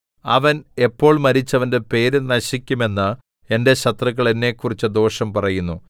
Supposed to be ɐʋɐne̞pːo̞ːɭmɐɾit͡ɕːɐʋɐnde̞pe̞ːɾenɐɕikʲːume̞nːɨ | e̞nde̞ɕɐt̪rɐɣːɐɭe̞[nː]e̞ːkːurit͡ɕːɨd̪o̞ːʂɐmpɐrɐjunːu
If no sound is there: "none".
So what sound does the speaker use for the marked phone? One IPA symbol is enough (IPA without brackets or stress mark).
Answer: nː